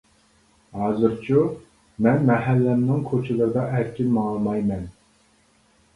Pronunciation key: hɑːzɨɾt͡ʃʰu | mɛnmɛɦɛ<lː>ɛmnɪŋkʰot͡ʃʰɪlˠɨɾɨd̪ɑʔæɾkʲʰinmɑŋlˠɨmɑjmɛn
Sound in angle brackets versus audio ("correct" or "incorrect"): correct